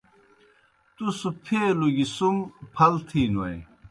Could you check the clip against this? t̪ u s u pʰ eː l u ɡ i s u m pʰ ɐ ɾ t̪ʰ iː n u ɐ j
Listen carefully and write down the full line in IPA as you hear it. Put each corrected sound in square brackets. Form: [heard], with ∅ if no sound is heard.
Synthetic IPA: t̪ u s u pʰ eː l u ɡ i s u m pʰ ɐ [l] t̪ʰ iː n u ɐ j